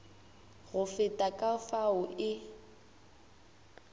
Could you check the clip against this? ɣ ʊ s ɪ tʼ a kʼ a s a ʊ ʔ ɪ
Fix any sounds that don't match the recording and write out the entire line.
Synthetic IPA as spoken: ɣ ʊ f ɪ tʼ a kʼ a f a ʊ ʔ ɪ